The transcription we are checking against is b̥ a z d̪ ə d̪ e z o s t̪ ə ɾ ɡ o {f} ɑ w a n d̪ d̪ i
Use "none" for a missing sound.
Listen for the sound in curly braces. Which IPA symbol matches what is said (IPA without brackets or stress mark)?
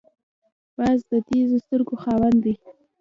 x